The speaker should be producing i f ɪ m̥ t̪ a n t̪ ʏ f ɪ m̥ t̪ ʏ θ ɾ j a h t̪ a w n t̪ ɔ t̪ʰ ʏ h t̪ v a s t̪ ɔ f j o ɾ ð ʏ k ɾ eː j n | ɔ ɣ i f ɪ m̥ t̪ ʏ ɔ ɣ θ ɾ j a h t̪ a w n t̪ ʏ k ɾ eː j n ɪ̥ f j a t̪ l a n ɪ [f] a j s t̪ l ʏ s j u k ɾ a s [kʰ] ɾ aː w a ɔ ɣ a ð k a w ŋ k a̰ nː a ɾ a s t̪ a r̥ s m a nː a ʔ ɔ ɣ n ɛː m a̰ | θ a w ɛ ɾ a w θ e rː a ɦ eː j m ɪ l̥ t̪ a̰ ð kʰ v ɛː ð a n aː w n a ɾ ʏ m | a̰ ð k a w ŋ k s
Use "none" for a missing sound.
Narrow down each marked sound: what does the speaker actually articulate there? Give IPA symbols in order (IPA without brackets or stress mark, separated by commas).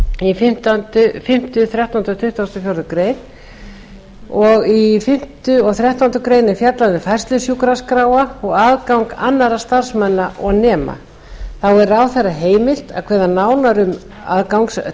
f, k